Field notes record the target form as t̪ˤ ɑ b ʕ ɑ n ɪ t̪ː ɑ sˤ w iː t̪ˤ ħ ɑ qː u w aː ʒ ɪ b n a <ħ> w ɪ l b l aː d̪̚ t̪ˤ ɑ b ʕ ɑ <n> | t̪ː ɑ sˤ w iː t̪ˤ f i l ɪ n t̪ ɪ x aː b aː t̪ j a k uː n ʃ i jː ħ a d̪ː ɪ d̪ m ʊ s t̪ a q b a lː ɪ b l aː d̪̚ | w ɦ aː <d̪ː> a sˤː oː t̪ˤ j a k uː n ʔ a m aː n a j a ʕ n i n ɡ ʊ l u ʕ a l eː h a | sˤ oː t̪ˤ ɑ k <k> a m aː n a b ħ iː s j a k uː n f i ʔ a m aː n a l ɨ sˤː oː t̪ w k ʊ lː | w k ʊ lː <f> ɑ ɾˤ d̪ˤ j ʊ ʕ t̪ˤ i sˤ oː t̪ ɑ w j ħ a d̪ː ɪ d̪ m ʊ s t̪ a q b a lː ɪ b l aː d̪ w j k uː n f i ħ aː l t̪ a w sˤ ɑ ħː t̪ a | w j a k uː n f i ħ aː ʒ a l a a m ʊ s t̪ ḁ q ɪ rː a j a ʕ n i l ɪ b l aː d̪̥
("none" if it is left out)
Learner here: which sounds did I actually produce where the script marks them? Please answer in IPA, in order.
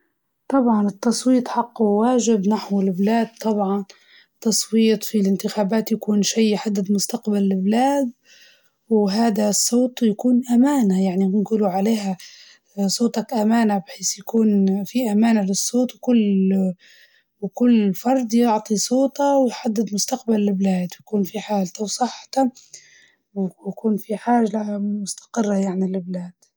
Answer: ħ, n, d̪, ʔ, f

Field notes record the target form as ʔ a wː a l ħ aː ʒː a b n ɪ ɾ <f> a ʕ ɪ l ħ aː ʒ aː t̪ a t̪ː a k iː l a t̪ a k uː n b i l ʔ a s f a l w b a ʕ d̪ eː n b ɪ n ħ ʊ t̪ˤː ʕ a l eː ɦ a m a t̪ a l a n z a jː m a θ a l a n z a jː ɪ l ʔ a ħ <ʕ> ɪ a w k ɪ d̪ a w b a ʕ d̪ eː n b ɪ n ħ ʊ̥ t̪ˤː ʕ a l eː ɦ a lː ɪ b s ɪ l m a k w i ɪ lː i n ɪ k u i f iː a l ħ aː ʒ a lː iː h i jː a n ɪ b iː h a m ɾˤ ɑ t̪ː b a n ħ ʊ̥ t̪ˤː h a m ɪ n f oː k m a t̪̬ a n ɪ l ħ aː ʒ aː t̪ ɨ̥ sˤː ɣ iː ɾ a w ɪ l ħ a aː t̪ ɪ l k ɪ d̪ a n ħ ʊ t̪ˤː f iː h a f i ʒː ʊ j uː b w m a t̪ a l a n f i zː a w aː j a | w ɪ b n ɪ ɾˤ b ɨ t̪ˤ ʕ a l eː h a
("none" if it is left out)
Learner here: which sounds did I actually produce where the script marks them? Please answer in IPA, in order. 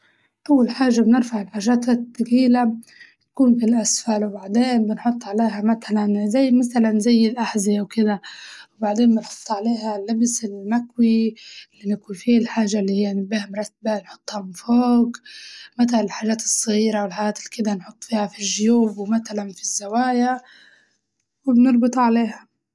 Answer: f, z

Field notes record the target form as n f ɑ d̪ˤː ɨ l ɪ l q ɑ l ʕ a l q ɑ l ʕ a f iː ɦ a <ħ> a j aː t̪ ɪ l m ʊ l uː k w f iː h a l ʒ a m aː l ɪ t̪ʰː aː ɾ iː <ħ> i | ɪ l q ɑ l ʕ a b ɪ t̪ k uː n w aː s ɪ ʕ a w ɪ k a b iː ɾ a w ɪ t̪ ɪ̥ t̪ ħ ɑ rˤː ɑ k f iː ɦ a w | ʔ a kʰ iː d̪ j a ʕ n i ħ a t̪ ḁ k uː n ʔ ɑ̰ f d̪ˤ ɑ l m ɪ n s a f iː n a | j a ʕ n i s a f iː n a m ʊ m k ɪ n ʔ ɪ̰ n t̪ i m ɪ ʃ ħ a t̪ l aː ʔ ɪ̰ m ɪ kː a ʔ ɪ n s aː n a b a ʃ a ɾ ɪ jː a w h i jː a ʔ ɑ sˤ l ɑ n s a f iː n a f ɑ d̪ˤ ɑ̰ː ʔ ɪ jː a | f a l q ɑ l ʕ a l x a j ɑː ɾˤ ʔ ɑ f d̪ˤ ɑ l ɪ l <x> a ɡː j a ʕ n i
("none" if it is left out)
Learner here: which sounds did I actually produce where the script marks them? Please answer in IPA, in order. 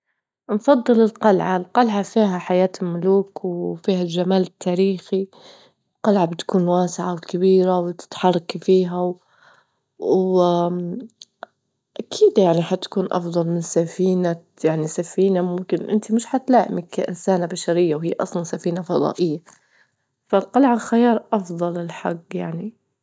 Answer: ħ, x, ħ

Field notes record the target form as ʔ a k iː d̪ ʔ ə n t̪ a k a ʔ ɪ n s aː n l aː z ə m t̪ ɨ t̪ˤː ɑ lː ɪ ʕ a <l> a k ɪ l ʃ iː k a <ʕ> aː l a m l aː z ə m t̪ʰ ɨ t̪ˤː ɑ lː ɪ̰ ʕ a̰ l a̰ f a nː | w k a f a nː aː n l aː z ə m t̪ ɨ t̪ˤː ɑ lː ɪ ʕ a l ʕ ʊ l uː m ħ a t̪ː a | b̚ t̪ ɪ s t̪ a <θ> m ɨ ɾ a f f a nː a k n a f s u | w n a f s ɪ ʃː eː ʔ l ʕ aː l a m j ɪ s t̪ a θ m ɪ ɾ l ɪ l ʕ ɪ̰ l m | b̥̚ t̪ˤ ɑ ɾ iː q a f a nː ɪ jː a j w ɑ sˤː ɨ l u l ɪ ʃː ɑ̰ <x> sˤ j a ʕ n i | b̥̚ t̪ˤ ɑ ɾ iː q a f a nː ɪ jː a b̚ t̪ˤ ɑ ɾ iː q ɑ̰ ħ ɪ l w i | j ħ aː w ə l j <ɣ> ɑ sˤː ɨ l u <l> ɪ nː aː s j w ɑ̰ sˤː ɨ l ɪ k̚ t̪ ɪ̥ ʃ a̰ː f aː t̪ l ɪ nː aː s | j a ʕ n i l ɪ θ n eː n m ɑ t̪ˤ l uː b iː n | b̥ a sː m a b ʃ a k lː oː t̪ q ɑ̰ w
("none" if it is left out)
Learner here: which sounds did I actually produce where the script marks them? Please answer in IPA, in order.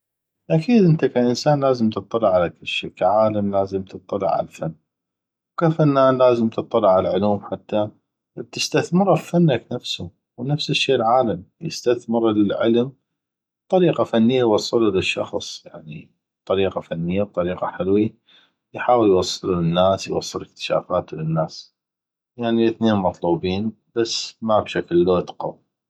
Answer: l, ʕ, θ, x, w, l

